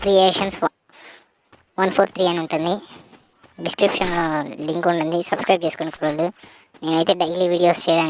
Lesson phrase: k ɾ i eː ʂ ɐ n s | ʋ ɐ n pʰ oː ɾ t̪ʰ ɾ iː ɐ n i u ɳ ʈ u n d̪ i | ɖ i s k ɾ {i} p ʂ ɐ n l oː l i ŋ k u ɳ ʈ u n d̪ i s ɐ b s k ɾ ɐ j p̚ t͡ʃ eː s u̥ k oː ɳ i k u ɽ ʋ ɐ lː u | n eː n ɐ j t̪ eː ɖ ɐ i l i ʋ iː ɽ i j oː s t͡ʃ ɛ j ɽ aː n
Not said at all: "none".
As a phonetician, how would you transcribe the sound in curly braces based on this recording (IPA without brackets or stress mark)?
i